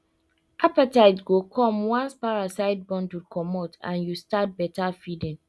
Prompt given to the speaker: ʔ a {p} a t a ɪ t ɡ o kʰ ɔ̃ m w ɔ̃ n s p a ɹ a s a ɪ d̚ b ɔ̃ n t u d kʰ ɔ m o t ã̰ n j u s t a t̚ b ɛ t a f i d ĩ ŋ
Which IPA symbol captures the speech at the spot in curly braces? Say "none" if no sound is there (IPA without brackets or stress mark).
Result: p